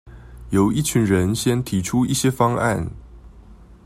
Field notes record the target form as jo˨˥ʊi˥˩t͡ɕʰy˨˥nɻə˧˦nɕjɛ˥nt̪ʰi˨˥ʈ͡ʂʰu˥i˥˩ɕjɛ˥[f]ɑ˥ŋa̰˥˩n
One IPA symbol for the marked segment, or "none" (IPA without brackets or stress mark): f